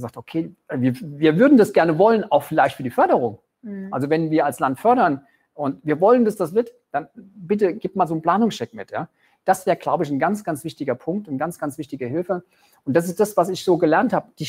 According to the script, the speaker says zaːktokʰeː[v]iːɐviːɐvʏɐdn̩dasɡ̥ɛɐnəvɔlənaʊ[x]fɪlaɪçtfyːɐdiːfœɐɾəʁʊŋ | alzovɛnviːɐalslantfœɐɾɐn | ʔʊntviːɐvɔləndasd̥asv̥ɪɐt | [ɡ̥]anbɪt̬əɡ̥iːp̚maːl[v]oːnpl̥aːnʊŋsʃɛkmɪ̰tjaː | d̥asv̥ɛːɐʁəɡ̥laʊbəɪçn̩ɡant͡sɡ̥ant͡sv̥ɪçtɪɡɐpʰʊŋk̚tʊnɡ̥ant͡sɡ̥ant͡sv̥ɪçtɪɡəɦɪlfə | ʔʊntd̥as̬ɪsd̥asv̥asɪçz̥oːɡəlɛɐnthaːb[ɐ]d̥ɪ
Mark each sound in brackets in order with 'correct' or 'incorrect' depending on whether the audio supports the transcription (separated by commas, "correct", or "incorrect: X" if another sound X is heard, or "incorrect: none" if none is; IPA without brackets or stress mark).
correct, correct, incorrect: d̥, incorrect: z, incorrect: ə